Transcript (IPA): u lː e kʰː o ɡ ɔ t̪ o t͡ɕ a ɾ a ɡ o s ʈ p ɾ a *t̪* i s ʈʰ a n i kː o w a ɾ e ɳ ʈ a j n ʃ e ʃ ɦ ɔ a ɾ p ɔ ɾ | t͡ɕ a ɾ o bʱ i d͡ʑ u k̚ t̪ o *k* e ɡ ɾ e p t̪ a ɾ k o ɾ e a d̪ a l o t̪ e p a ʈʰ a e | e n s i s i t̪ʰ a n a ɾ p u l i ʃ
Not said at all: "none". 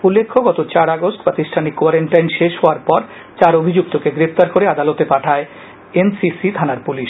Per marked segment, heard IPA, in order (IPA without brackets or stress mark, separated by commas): t̪, k